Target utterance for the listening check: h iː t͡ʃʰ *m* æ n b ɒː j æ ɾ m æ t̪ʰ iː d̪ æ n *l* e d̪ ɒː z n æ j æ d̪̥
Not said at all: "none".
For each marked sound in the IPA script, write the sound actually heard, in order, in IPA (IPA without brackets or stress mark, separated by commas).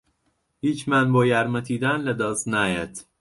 m, l